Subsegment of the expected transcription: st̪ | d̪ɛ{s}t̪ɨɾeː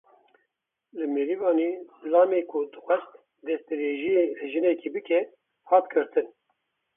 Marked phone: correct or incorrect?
correct